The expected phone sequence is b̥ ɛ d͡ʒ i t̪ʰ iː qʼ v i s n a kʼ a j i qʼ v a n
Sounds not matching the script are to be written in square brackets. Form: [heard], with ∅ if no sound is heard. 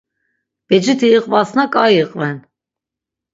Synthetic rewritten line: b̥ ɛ d͡ʒ i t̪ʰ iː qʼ v [a] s n a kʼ a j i qʼ v [ɛ] n